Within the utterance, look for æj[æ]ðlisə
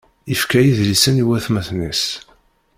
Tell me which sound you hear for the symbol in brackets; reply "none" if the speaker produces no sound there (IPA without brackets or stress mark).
i